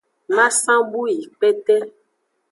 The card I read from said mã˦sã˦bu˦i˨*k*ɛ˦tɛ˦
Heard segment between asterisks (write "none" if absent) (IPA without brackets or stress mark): k͡p